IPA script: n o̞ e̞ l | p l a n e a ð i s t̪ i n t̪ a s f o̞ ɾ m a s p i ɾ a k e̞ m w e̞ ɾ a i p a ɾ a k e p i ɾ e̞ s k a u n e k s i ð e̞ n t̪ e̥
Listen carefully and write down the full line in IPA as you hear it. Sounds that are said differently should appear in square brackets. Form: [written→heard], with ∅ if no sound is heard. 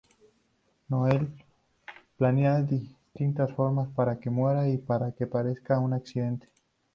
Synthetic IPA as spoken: n o̞ e̞ l | p l a n e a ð i s t̪ i n t̪ a s f o̞ ɾ m a s p [i→a] ɾ a k e̞ m w e̞ ɾ a i p a ɾ a k e p [i→a] ɾ e̞ s k a u n [e→a] k s i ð e̞ n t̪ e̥